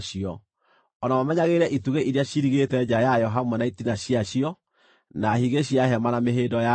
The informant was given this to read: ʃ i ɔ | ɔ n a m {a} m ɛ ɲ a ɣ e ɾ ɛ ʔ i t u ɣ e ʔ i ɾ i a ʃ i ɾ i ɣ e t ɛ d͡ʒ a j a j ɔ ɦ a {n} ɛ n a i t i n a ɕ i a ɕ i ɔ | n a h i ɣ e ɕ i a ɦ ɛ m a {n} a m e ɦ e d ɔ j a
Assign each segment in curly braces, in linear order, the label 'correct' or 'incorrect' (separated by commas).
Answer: correct, incorrect, correct